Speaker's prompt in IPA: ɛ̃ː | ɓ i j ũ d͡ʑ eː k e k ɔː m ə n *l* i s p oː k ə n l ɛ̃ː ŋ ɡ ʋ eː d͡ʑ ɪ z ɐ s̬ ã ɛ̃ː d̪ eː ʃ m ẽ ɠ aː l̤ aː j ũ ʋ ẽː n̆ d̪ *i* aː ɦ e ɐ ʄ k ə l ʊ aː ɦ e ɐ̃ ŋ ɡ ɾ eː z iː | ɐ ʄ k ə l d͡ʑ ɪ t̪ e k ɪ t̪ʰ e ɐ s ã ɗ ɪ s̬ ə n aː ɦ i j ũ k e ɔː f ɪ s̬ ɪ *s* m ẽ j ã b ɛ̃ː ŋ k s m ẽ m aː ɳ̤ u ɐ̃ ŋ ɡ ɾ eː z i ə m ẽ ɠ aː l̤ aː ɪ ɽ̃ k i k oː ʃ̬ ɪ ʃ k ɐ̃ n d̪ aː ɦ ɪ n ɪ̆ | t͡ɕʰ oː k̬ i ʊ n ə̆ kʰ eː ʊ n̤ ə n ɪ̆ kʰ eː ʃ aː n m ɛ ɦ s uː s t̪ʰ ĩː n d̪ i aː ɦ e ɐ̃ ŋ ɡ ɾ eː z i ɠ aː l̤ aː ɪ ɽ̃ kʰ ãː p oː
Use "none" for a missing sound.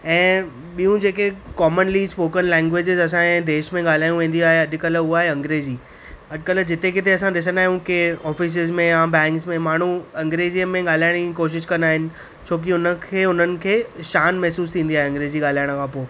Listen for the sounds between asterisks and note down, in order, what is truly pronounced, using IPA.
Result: l, i, z

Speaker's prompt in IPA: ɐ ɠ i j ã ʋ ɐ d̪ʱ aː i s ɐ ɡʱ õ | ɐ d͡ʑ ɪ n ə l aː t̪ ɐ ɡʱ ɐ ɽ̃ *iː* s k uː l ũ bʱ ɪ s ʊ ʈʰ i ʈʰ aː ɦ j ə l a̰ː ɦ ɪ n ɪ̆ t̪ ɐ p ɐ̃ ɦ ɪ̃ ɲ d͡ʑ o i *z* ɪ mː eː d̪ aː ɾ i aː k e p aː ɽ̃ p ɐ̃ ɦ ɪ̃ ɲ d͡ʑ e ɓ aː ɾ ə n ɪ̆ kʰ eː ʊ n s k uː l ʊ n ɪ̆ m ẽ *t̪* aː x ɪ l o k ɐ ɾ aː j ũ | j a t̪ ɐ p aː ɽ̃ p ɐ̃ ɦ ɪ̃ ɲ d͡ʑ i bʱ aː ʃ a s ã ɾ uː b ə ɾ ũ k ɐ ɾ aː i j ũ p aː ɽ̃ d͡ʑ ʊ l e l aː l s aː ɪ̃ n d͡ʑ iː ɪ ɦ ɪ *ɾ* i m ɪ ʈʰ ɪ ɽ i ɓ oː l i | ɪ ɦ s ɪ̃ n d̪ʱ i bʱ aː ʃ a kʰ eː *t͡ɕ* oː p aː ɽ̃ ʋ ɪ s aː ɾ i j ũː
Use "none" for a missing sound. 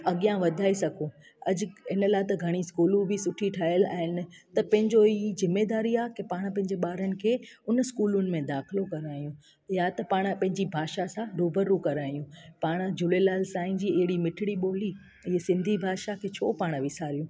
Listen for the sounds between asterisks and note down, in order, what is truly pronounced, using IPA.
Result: i, z, d̪, ɽ, t͡ɕʰ

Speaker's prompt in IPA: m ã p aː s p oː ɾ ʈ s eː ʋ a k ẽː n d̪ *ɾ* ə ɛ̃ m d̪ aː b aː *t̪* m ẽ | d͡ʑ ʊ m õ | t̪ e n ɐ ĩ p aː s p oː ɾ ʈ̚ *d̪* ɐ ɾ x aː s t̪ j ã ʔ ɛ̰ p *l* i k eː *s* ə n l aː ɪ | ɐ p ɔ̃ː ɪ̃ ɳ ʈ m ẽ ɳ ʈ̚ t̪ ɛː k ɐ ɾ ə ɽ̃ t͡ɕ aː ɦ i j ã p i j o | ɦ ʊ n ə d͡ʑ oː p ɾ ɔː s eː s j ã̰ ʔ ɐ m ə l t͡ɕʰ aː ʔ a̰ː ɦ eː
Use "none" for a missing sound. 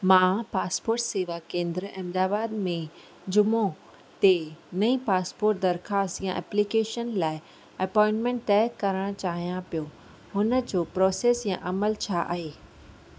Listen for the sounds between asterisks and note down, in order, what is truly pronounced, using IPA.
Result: ɾ, d̪, d̪, l, ʃ

